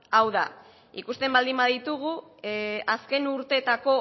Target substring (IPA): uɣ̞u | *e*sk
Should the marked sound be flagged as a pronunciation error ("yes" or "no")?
yes